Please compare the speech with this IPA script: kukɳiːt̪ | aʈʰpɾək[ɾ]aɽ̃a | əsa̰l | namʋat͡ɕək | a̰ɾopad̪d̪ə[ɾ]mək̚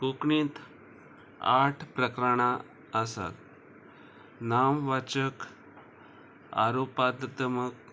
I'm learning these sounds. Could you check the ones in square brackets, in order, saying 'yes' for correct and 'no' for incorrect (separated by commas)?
yes, no